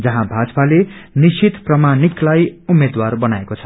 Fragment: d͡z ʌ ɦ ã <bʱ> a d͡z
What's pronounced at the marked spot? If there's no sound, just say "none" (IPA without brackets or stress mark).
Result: bʱ